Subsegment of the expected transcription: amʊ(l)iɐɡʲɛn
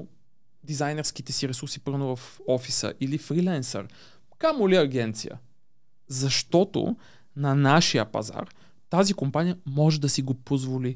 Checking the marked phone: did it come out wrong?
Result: no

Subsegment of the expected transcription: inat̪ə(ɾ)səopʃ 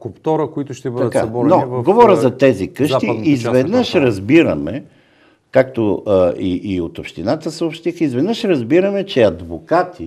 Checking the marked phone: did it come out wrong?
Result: yes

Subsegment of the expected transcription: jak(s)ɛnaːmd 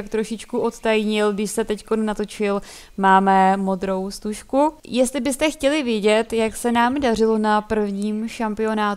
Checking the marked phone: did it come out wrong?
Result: no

